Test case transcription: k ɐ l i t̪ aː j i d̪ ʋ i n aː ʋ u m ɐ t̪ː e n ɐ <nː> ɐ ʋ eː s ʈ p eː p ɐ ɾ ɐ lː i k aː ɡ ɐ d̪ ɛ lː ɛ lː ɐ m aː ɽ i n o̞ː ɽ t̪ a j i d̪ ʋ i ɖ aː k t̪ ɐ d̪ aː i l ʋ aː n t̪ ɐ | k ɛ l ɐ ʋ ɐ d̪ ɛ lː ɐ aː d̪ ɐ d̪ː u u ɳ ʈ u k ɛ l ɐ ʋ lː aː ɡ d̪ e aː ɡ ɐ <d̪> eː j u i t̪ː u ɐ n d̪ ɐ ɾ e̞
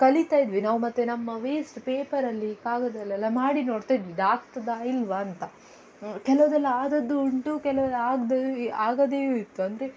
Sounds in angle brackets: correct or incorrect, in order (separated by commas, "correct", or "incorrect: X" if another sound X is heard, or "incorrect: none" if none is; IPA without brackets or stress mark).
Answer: incorrect: mː, correct